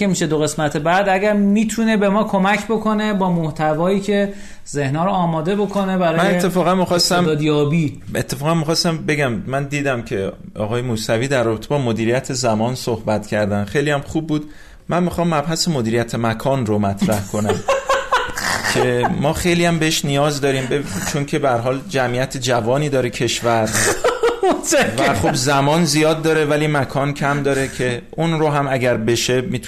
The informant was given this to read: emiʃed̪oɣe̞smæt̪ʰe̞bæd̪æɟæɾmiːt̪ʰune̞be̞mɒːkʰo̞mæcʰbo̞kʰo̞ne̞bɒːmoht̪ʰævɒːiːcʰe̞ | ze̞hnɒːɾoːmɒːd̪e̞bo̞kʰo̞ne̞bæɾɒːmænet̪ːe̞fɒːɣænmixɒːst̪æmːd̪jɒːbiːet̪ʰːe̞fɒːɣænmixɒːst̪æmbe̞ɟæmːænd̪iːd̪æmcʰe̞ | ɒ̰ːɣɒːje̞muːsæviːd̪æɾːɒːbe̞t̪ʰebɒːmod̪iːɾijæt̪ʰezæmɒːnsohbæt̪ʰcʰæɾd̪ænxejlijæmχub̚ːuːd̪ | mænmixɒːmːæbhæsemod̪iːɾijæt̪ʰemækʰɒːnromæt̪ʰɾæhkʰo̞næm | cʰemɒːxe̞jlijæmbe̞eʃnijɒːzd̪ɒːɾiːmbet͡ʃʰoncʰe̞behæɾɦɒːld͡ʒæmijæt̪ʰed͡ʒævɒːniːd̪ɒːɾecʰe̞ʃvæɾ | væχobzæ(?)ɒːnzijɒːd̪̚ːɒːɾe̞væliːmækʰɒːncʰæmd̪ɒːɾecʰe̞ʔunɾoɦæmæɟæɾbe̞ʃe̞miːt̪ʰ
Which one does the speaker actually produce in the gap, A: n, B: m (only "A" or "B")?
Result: B